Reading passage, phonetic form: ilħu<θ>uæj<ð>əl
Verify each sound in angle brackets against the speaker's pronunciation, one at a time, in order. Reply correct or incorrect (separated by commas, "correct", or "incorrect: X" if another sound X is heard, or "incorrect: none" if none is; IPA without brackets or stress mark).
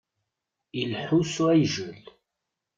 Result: incorrect: s, incorrect: ʒ